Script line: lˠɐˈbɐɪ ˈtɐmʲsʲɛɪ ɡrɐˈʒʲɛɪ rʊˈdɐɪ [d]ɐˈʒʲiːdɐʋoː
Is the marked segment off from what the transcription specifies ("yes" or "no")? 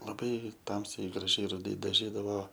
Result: no